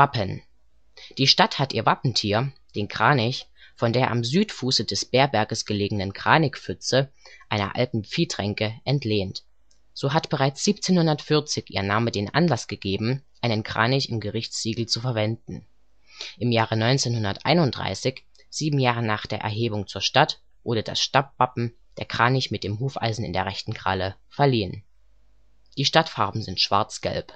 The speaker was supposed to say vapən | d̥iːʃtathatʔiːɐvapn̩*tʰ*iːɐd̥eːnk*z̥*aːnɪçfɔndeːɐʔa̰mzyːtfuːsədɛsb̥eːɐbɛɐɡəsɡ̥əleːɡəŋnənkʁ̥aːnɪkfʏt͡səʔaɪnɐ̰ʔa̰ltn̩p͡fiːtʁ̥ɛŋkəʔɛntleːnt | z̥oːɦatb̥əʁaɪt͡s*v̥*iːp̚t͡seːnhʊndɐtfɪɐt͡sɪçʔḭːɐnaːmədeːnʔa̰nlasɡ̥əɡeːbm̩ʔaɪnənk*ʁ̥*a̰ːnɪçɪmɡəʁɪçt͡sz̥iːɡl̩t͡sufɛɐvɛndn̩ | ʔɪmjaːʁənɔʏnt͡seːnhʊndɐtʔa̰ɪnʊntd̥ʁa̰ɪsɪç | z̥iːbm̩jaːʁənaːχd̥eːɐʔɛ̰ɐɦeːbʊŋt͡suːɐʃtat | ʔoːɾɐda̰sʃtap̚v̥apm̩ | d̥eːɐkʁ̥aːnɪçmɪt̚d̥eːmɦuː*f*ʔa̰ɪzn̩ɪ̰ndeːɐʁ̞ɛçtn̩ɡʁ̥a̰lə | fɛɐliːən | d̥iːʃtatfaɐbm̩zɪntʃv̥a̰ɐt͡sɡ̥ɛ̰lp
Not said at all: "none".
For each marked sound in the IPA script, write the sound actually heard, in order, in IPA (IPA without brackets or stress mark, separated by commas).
tʰ, ʁ̥, z̥, ʁ̥, f